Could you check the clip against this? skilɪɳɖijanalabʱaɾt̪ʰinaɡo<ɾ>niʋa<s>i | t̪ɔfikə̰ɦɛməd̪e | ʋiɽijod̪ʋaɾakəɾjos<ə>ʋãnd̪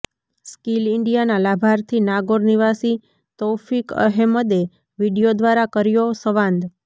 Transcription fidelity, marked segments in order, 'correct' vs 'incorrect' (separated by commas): correct, correct, correct